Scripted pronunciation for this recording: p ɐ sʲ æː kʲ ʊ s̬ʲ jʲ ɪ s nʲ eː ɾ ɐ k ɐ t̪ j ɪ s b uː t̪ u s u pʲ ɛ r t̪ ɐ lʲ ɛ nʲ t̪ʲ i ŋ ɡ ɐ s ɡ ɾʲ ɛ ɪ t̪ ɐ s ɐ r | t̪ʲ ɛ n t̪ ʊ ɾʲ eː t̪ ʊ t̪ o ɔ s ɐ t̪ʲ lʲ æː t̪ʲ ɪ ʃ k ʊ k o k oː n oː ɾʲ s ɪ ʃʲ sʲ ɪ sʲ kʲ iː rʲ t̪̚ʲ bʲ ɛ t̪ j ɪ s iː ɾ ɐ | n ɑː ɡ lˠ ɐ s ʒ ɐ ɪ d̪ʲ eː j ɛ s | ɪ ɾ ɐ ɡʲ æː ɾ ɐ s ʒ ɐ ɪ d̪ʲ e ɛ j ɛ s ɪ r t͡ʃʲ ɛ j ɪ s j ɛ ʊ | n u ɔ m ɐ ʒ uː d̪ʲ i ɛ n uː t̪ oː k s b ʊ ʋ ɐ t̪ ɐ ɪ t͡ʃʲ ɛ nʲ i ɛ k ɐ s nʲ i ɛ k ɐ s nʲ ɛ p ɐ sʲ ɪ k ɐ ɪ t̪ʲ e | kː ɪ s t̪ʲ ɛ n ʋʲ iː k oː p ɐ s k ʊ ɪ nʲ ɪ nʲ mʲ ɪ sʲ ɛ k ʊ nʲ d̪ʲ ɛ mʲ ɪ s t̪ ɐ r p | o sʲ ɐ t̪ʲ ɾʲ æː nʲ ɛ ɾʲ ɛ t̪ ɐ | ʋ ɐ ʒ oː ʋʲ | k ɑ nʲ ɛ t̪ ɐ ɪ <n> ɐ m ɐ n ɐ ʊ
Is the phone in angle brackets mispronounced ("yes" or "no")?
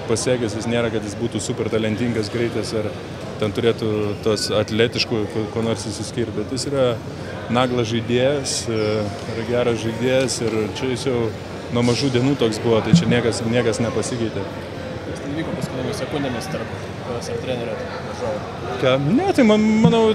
yes